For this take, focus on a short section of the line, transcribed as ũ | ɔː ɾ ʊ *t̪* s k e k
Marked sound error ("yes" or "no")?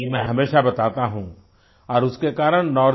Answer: yes